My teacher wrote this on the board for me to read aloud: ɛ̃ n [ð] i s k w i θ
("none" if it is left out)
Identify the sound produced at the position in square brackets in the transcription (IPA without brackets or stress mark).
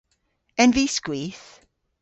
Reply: v